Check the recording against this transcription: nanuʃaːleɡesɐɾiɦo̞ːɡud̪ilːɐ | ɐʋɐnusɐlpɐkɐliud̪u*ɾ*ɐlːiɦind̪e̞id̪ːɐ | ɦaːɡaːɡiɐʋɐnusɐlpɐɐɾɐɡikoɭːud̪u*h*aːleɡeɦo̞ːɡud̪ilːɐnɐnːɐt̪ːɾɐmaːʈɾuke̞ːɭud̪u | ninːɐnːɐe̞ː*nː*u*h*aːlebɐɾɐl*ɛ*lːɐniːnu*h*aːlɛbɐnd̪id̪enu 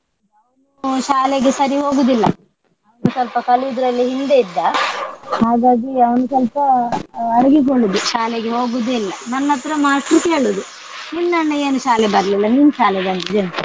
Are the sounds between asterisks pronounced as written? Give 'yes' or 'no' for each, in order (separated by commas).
yes, no, no, no, no, no